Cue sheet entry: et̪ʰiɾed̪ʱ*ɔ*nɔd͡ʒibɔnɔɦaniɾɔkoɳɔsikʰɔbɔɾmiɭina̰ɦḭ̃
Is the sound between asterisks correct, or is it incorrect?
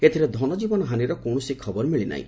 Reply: correct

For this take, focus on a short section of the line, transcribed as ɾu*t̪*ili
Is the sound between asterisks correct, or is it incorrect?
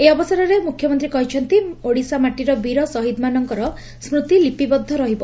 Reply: correct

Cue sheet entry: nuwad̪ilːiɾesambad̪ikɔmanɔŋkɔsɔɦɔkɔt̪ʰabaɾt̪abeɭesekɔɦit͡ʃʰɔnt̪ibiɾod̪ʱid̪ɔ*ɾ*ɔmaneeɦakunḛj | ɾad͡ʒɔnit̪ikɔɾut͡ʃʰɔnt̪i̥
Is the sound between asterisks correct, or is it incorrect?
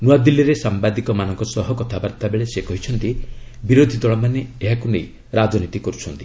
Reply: incorrect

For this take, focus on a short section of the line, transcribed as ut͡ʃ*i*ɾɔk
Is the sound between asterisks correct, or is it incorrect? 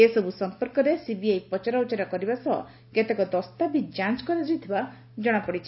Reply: incorrect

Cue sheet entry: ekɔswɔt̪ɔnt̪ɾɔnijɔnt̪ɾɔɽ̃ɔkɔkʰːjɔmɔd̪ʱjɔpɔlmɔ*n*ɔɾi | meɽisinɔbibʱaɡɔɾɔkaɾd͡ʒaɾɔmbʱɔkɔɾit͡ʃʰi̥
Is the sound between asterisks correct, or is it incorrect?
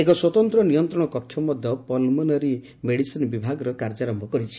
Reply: correct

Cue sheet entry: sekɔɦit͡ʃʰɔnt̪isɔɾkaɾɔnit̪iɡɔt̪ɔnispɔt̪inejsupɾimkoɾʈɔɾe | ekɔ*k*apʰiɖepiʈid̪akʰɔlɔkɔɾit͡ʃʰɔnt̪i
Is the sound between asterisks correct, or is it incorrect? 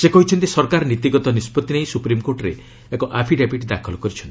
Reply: incorrect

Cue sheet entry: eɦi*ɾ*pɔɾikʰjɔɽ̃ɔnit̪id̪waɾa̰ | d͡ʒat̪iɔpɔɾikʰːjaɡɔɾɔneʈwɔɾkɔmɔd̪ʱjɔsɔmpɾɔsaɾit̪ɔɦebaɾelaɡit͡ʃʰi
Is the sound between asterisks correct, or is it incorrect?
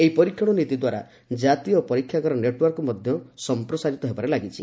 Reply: incorrect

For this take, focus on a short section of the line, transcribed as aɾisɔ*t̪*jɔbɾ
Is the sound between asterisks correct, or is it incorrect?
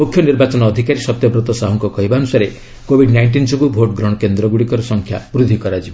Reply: correct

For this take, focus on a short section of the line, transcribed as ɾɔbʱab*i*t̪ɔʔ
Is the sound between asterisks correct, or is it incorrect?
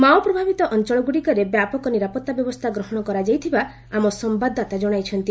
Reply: correct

